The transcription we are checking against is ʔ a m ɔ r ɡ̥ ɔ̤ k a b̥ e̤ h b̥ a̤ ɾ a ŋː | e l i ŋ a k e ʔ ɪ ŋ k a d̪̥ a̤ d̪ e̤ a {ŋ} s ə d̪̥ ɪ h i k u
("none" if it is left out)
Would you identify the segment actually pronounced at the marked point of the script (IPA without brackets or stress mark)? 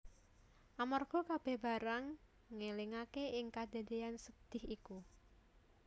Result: n